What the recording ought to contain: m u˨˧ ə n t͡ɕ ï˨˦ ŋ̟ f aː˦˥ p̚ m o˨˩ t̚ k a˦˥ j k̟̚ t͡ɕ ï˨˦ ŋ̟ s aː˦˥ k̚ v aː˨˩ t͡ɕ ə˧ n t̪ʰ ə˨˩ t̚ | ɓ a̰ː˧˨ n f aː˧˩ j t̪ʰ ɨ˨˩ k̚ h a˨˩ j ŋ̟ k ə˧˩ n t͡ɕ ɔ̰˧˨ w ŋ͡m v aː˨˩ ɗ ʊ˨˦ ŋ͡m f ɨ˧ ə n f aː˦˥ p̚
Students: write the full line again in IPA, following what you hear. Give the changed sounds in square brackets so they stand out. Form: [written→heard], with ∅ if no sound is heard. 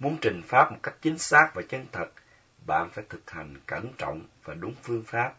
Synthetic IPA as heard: m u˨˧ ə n t͡ɕ [ï˨˦→ï˨˩] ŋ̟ f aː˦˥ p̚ m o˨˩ t̚ k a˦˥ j k̟̚ t͡ɕ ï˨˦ ŋ̟ s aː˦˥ k̚ v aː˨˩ t͡ɕ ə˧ n t̪ʰ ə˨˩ t̚ | ɓ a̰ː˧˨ n f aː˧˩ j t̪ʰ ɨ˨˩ k̚ h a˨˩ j ŋ̟ k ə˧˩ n t͡ɕ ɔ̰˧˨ w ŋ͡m v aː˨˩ ɗ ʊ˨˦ ŋ͡m f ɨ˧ ə [n→ŋ] f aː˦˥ p̚